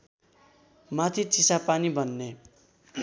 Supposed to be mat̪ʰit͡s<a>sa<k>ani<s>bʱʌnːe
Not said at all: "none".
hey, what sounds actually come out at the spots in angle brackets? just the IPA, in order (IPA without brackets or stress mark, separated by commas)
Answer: i, p, none